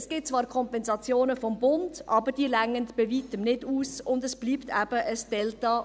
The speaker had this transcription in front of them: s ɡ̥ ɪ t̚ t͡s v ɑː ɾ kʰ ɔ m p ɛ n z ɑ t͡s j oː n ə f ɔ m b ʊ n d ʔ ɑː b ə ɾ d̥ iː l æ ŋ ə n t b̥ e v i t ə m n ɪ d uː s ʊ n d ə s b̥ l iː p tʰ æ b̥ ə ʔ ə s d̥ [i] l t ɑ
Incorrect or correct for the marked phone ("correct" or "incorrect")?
incorrect